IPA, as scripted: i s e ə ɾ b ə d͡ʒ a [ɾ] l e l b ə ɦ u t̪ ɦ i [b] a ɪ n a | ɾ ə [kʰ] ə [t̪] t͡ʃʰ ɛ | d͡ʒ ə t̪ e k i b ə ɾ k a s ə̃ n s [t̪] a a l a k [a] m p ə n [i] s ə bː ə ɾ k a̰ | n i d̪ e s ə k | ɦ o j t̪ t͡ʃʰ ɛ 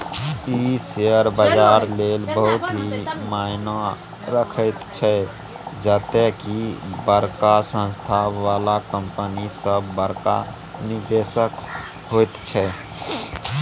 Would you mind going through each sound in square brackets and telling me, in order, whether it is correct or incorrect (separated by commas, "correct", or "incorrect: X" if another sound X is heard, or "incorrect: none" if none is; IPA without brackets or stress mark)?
correct, incorrect: m, correct, correct, incorrect: t̪ʰ, incorrect: ə, correct